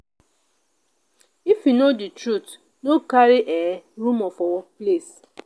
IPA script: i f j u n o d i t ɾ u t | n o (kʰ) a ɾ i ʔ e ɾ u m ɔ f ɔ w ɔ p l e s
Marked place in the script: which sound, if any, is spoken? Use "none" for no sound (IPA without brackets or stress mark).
k